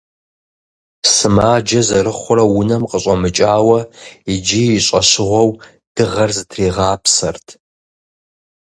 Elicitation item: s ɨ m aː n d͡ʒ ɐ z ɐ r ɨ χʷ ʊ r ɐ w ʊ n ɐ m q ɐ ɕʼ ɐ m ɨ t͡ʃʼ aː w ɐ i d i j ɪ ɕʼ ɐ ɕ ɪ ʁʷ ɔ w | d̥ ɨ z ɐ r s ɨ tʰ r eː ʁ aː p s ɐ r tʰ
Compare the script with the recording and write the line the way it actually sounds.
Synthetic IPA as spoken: s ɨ m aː d͡ʒ ɐ z ɐ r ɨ χʷ ʊ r ɐ w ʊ n ɐ m q ə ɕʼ ɐ m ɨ t͡ʃʼ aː w ɐ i d͡ʒ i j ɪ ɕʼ ɐ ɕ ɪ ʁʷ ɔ w | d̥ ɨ ʁ ɐ r z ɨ tʰ r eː ʁ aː p s ɐ r tʰ